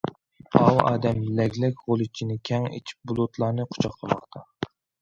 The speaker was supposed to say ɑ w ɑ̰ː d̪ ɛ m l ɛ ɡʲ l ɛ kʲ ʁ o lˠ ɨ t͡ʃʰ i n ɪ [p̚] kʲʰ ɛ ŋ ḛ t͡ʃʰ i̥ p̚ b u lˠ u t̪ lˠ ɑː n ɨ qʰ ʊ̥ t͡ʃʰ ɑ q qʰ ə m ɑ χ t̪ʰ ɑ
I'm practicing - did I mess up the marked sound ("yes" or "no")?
yes